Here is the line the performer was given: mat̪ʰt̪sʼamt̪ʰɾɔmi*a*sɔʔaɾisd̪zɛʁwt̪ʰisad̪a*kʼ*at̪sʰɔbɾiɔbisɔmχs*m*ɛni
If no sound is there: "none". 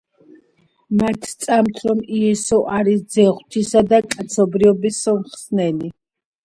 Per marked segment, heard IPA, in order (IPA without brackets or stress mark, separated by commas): ɛ, kʼ, n